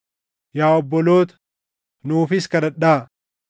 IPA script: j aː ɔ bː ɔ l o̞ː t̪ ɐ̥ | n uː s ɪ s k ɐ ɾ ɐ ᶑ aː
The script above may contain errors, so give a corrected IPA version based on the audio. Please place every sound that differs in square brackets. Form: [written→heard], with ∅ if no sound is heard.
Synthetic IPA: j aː ɔ bː ɔ l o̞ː t̪ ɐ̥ | n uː [s→f] ɪ s k ɐ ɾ ɐ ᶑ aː